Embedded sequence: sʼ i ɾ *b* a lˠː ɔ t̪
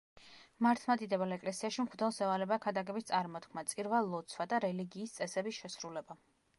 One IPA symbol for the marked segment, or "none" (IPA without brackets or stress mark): v